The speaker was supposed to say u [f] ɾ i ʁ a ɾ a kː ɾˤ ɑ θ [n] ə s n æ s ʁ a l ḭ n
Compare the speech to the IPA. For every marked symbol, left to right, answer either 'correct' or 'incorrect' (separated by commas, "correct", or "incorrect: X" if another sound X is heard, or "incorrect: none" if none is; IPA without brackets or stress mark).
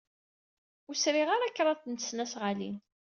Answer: incorrect: s, correct